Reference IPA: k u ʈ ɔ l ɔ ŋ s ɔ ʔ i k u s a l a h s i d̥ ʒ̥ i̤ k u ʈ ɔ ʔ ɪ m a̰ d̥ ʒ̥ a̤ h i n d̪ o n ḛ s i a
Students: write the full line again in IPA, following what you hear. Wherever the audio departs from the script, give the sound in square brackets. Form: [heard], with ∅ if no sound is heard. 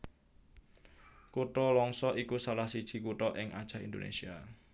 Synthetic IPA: k u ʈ ɔ l ɔ ŋ s ɔ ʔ i k u s a l a h s i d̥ ʒ̥ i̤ k u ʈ ɔ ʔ ɪ [ŋ] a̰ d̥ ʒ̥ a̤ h i n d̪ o n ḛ s i a